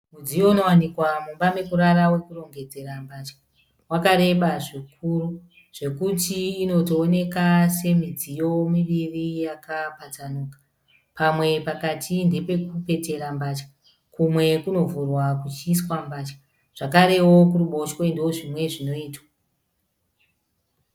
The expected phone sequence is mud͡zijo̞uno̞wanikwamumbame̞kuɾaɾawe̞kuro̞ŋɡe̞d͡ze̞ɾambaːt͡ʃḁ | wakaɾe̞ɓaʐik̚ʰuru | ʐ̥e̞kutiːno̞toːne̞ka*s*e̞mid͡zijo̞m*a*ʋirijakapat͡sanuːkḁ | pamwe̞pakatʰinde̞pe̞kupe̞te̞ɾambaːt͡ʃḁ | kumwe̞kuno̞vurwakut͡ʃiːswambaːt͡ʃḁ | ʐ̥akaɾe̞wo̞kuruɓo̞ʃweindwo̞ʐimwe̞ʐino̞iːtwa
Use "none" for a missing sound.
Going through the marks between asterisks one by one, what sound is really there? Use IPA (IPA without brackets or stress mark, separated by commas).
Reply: s, i